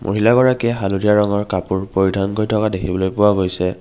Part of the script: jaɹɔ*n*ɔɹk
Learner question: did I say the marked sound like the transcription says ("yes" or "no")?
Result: no